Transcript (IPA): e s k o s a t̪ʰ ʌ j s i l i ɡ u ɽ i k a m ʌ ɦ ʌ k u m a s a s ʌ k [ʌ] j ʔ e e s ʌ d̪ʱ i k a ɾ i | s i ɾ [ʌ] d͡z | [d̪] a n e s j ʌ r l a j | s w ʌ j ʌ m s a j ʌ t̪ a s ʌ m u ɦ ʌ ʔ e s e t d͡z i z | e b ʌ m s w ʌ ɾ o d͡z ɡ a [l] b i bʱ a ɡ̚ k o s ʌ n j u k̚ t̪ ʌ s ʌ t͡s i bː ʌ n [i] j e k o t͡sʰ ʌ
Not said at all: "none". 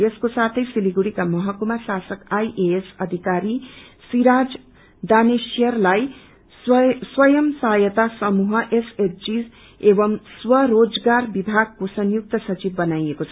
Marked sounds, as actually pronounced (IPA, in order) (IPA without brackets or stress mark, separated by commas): a, a, d̪, r, a